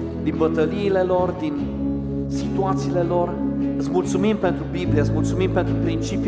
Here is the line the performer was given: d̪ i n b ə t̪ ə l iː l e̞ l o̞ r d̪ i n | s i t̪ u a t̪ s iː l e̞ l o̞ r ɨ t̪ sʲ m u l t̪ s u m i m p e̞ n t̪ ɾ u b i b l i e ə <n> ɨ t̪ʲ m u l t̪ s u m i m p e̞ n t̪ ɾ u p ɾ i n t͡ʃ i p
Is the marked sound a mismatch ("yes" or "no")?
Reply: yes